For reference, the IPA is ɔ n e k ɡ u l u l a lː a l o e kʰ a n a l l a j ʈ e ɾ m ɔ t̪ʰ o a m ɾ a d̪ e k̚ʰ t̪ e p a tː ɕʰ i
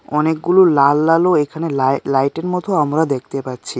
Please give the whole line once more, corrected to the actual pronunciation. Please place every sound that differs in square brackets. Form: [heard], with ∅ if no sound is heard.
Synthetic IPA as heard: ɔ n e k ɡ u l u l a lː a l o e kʰ a n [e] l l a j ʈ e ɾ m ɔ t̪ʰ o a m ɾ a d̪ e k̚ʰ t̪ e p a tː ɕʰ i